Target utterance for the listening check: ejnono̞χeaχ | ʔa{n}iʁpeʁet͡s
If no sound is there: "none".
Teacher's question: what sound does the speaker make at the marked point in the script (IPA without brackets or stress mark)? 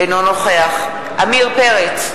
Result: m